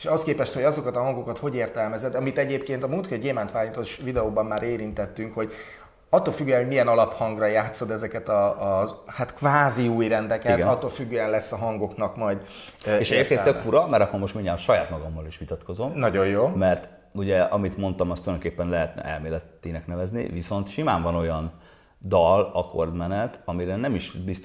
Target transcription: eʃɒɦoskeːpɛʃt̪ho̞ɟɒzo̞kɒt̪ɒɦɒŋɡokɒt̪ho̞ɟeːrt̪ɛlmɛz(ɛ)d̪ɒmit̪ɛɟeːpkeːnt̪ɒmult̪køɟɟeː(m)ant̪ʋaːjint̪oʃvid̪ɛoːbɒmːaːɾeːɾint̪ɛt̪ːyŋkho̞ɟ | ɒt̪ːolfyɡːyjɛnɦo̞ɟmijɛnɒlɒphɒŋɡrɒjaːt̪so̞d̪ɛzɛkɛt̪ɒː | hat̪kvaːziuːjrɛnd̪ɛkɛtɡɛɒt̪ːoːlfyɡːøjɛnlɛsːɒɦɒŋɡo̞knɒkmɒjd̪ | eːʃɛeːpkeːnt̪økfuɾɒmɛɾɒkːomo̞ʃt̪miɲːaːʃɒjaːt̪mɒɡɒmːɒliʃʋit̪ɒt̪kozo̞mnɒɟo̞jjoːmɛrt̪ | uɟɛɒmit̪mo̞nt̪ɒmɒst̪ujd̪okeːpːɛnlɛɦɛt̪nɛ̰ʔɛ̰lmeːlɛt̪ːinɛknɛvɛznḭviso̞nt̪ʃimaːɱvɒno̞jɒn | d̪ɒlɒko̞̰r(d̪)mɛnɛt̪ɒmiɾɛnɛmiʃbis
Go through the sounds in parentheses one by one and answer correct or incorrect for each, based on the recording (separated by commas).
correct, correct, correct